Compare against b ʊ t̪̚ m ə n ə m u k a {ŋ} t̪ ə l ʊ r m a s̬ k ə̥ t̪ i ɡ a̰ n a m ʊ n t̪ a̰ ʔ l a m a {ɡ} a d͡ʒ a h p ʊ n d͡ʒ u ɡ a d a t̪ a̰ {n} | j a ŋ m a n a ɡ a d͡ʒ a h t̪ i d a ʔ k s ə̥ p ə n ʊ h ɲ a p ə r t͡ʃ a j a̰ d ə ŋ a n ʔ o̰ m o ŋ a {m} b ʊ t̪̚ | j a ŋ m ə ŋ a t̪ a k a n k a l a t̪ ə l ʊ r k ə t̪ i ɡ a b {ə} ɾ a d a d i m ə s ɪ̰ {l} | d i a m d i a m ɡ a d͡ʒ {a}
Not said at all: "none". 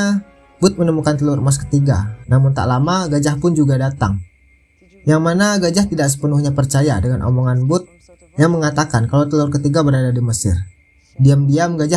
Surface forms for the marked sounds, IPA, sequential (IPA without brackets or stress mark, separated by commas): n, ɡ, ŋ, n, ə, r, a